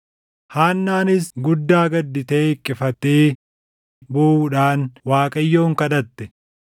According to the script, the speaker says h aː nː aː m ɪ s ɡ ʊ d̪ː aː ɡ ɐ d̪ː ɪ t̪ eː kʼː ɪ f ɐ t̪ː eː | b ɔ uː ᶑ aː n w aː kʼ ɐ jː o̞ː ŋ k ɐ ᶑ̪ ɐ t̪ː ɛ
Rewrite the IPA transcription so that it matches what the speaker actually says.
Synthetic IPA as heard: h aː nː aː n ɪ s ɡ ʊ d̪ː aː ɡ ɐ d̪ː ɪ t̪ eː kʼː ɪ f ɐ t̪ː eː | b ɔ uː ᶑ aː n w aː kʼ ɐ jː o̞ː ŋ k ɐ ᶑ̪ ɐ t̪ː ɛ